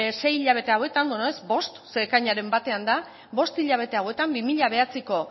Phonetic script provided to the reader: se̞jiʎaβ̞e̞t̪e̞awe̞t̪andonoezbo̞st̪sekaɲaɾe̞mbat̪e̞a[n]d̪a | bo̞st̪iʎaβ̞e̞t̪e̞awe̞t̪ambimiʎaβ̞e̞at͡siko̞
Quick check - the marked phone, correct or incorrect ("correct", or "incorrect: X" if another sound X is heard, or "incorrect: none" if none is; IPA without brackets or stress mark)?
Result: correct